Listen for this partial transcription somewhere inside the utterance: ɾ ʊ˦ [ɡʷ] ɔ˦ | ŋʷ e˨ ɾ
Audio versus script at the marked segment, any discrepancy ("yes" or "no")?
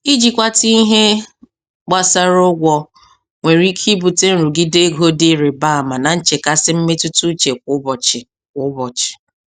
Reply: no